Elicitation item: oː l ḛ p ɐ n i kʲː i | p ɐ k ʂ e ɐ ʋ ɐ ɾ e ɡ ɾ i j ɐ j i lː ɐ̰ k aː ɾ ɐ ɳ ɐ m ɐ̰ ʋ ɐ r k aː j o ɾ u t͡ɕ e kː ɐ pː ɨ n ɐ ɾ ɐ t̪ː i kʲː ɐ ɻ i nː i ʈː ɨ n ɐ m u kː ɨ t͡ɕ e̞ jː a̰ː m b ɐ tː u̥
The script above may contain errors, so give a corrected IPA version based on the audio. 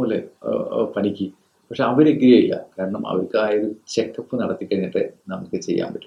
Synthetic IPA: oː l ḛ p ɐ n i kʲː i | p ɐ k ʂ e ɐ ʋ ɐ ɾ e ɡ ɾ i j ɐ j i lː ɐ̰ k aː ɾ ɐ ɳ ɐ m ɐ̰ ʋ ɐ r k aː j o ɾ u t͡ɕ e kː ɐ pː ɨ n ɐ ɽ ɐ t̪ː i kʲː ɐ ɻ i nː i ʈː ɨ n ɐ m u kː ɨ t͡ɕ e̞ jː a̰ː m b ɐ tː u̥